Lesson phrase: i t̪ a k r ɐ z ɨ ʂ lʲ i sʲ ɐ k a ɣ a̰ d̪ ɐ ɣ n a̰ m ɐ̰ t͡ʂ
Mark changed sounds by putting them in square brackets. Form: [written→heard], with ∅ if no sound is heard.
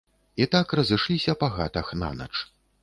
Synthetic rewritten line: i t̪ a k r ɐ z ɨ ʂ lʲ i sʲ ɐ [k→p] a ɣ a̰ [d̪→t̪] ɐ [ɣ→x] n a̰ [m→n] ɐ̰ t͡ʂ

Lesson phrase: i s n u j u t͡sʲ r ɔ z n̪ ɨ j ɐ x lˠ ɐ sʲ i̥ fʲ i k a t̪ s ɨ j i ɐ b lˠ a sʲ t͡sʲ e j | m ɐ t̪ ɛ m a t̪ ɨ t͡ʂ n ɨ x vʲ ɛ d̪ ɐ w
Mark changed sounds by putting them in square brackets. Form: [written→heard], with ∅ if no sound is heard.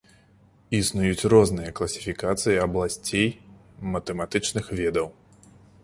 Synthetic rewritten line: i s n u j u t͡sʲ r ɔ z n̪ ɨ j ɐ [x→k] lˠ ɐ sʲ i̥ fʲ i k a t̪ s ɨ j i ɐ b lˠ a sʲ t͡sʲ e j | m ɐ t̪ ɛ m a t̪ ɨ t͡ʂ n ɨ x vʲ ɛ d̪ ɐ w

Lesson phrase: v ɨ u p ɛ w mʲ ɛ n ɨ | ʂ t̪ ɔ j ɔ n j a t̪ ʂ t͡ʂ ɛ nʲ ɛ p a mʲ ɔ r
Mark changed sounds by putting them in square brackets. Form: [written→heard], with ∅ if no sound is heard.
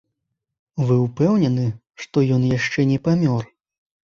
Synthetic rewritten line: v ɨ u p ɛ w [mʲ→nʲ] ɛ n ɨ | ʂ t̪ ɔ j ɔ n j a [t̪→∅] ʂ t͡ʂ ɛ nʲ ɛ p a mʲ ɔ r

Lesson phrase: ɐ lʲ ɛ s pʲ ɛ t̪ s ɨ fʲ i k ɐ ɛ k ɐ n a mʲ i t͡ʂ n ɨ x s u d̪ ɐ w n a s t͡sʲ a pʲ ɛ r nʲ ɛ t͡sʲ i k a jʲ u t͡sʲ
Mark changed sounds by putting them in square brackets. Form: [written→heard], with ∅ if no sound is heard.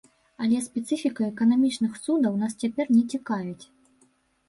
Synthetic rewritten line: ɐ lʲ ɛ s pʲ ɛ t̪ s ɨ fʲ i k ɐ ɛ k ɐ n a mʲ i t͡ʂ n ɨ x s u d̪ ɐ w n a s t͡sʲ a pʲ ɛ r nʲ ɛ t͡sʲ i k a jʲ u t͡sʲ

